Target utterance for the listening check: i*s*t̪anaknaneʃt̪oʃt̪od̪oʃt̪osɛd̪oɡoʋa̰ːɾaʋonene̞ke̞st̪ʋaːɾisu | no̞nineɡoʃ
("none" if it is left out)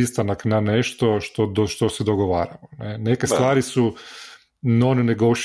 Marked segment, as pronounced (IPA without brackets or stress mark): s